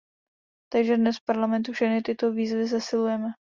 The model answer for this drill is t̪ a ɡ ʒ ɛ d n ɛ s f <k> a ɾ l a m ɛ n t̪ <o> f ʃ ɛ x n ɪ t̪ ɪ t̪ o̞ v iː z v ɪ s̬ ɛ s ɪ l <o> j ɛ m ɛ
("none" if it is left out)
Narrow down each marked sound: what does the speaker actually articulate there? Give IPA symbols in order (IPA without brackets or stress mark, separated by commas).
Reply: p, u, u